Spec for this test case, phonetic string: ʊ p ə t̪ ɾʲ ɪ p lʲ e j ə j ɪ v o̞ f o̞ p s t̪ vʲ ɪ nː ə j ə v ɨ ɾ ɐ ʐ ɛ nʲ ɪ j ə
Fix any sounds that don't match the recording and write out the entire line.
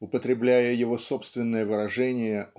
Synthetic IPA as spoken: ʊ p ə t̪ ɾʲ ɪ b lʲ æ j ə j ɪ v o̞ s o̞ p s t̪ vʲ ɪ nː ə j ə v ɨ ɾ ɐ ʐ ɛ nʲ ɪ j ə